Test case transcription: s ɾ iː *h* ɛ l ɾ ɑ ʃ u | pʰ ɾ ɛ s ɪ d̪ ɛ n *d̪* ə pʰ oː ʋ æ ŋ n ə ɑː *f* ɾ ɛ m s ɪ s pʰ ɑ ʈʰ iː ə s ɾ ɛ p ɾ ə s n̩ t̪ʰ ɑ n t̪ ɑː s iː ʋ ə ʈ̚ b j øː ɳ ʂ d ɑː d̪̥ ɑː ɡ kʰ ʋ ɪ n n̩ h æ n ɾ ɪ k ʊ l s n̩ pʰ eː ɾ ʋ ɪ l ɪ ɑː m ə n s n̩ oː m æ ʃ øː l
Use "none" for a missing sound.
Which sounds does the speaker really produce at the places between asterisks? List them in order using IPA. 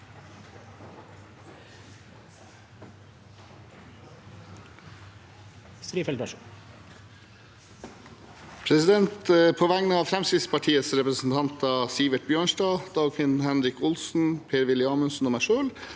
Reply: f, t̪, f

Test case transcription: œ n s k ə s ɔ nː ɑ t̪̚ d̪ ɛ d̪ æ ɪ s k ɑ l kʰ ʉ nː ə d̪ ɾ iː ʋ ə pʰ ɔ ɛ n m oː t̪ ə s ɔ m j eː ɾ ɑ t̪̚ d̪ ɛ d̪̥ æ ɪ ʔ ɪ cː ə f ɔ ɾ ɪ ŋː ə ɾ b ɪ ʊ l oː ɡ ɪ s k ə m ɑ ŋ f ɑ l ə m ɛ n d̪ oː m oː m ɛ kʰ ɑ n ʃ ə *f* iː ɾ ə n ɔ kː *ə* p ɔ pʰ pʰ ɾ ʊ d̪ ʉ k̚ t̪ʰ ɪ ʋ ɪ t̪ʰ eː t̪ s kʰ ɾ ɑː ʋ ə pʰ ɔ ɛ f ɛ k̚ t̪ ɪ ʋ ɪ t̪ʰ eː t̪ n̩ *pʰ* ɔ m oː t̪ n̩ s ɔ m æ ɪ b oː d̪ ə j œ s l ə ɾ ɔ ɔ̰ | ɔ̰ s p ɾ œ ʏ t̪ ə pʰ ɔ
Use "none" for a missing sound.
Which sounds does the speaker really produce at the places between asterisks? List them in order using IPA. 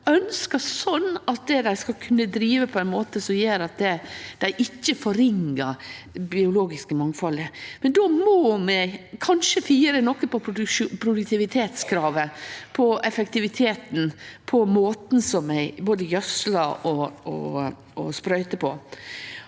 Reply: f, ə, pʰ

